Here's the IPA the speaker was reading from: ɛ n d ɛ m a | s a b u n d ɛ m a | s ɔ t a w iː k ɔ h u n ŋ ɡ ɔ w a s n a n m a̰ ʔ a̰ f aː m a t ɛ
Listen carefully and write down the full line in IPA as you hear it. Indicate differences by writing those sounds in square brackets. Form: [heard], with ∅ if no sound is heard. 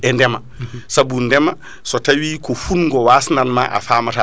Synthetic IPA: ɛ n d ɛ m a | s a b u n d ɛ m a | s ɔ t a w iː k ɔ [f] u n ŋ ɡ ɔ w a s n a n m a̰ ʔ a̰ f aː m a t [a]

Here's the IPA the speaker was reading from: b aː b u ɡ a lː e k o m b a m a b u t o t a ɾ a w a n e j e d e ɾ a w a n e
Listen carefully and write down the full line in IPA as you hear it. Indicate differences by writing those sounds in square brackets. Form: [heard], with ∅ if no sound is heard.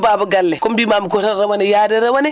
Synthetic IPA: b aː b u ɡ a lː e k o m b [i] m a [m] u [k] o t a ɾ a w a n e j [a] d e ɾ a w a n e

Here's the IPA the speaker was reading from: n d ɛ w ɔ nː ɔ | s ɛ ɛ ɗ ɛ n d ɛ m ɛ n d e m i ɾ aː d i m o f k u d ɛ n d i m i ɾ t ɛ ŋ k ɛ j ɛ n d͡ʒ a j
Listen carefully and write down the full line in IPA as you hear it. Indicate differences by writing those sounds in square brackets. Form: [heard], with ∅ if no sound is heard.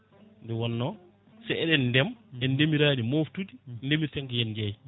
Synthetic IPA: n d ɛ w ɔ nː ɔ | s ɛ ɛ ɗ ɛ n d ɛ m ɛ n d e m i ɾ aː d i m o f [t] u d [i] n d [e] m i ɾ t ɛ ŋ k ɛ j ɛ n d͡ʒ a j

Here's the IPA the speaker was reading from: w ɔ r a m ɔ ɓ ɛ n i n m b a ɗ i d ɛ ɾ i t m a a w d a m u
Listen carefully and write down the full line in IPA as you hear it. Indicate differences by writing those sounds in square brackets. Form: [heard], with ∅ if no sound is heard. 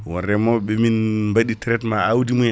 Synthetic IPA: w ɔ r [ɛ] m ɔ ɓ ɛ [m] i n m b a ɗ i [t] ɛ ɾ [ɛ] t m a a w d [i] m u

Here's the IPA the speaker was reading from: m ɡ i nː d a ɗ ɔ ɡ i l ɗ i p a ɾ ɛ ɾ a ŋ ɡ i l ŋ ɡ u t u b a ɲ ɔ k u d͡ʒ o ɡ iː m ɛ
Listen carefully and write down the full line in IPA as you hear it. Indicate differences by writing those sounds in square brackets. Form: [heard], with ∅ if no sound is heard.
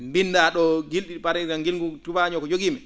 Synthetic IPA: m [b] i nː d a ɗ ɔ ɡ i l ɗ i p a ɾ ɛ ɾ a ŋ ɡ i l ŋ ɡ u t u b a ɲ ɔ k [ɔ] d͡ʒ o ɡ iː m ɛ

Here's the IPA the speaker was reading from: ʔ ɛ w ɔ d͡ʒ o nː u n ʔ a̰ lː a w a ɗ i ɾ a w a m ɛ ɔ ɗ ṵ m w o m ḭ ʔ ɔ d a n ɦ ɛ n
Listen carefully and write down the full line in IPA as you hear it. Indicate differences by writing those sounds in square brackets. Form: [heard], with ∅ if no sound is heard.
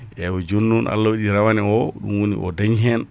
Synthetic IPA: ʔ ɛ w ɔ d͡ʒ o nː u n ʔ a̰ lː a w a ɗ i ɾ a w a [n] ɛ ɔ ɗ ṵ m w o [n] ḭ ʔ ɔ d a [ɲ] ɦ ɛ n

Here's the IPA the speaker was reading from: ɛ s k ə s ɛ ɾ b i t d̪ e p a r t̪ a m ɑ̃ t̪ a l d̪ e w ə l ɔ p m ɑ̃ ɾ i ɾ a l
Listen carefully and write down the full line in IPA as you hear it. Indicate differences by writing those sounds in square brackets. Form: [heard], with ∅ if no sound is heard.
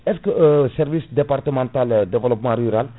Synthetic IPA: ɛ s k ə s ɛ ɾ [v] i [s] d̪ e p a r t̪ [ə] m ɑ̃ t̪ a l d̪ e [v] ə l ɔ p m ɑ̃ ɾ [y] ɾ a l

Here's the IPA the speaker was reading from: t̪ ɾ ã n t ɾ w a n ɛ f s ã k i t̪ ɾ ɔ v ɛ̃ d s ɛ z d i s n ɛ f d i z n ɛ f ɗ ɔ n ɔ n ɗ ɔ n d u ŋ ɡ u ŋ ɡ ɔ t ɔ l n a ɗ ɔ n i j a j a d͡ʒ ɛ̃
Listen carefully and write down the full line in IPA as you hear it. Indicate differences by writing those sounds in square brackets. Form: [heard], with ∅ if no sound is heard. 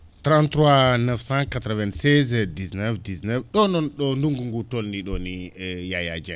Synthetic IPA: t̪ ɾ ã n t ɾ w a n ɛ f s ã k [a] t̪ ɾ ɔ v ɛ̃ [n] s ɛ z d i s n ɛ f d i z n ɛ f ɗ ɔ n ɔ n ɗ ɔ n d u ŋ ɡ u ŋ ɡ [u] t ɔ l n [i] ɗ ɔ n i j a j a d͡ʒ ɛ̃

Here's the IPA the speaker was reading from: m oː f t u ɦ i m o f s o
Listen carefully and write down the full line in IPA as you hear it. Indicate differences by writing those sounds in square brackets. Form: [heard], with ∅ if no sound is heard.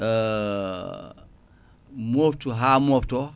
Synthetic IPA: m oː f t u ɦ [a] m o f [t] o

